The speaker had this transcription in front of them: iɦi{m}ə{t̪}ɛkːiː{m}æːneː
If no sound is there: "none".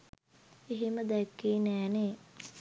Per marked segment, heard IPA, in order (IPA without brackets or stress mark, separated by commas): m, d̪, n